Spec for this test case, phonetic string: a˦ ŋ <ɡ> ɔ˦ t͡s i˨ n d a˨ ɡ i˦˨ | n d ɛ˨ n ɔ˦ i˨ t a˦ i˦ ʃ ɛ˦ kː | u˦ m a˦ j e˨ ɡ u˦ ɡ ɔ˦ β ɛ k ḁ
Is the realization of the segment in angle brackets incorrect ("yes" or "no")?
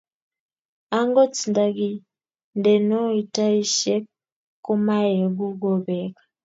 no